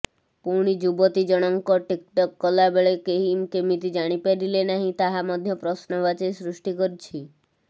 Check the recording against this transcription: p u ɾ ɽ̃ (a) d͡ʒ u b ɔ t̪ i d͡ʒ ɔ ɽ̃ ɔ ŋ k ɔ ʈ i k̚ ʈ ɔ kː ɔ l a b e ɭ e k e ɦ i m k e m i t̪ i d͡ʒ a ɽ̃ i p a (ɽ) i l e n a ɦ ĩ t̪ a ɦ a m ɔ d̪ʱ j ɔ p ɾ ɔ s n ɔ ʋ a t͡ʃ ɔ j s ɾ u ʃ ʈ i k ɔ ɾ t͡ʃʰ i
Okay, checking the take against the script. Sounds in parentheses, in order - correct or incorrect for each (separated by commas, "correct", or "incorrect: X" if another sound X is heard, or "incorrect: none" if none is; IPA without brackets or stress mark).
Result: incorrect: i, incorrect: ɾ